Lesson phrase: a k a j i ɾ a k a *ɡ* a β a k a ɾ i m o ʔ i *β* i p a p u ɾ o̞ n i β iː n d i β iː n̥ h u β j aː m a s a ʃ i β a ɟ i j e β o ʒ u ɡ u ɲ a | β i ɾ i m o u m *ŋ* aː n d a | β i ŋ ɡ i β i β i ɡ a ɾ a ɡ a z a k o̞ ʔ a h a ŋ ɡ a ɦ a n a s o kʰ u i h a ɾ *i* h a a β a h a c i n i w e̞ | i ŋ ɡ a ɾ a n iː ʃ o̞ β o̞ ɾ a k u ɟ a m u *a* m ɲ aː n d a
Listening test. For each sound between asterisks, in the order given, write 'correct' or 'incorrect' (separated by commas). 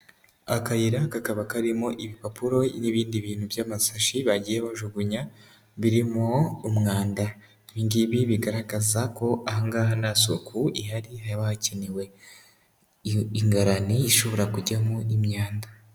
incorrect, correct, correct, correct, incorrect